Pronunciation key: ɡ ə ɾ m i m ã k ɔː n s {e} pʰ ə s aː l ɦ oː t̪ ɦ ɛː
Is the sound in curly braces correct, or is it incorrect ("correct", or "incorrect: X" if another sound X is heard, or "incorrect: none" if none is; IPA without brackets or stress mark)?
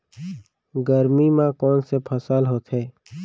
correct